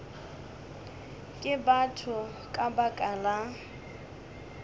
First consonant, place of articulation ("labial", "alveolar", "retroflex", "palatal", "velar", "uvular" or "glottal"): velar